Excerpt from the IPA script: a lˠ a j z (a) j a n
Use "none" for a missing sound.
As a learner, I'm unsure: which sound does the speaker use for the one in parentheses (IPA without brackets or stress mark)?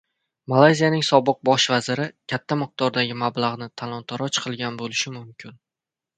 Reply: i